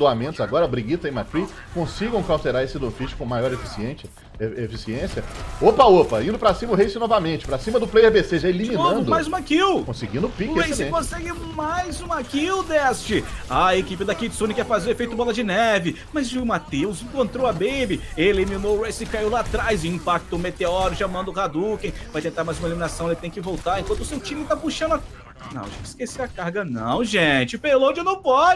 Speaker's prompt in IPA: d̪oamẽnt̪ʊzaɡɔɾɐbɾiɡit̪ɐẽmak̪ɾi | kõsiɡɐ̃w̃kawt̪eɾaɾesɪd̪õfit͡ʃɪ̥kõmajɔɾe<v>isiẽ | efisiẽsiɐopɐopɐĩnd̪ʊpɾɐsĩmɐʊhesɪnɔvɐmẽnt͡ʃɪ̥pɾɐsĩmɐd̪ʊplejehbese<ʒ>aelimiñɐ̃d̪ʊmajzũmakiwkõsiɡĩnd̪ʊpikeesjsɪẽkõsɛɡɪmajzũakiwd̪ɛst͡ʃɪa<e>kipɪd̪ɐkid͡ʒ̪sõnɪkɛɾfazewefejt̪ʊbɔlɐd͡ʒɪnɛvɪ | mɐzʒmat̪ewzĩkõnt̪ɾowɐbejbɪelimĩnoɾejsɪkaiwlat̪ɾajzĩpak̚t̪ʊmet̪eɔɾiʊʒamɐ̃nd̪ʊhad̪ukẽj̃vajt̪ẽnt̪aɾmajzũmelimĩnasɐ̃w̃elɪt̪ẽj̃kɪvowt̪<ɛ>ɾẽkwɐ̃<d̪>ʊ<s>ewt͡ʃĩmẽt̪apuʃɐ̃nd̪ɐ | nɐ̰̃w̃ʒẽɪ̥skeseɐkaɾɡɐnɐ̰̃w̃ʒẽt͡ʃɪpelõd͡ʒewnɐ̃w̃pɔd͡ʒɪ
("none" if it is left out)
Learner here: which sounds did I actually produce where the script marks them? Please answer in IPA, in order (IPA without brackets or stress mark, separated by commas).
f, ʒ, e, a, t̪, s